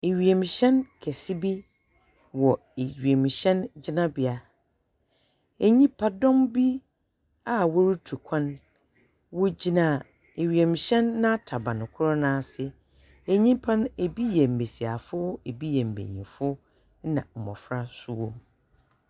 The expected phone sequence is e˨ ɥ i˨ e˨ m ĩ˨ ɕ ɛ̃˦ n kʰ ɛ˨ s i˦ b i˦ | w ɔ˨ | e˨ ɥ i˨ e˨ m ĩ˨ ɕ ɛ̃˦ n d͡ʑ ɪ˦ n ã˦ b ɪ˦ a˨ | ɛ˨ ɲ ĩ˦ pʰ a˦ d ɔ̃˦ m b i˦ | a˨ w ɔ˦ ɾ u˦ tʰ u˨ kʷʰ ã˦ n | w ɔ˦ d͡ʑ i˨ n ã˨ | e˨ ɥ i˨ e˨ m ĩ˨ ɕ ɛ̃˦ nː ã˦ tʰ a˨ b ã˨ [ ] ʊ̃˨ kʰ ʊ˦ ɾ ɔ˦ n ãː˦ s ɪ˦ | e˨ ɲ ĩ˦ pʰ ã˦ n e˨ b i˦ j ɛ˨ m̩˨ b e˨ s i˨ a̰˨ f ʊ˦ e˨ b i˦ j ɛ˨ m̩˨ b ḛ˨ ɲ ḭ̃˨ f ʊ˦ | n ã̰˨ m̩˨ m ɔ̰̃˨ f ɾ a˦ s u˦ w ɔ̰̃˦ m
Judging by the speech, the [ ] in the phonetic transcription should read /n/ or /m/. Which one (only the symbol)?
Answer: n